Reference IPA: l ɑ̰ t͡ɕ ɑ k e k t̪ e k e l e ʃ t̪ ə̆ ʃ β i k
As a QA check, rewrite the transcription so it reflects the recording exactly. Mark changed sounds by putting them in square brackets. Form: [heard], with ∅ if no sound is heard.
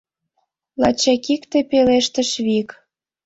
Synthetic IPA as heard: l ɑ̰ t͡ɕ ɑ k [i] k t̪ e [p] e l e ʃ t̪ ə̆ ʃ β i k